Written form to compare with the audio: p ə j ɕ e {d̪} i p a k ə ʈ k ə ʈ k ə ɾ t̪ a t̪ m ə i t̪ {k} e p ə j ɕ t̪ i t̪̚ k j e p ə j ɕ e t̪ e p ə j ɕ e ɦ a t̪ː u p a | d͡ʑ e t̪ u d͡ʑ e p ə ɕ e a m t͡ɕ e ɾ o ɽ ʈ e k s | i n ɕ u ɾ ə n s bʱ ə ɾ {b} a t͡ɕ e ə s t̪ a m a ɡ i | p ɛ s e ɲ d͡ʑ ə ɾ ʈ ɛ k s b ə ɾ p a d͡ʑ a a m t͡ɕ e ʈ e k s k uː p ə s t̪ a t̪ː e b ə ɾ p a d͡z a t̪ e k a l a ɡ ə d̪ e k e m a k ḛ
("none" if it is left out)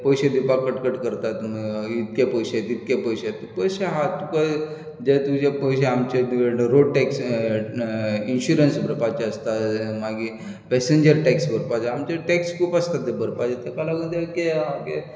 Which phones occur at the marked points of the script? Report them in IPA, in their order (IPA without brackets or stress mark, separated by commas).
d̪, k, p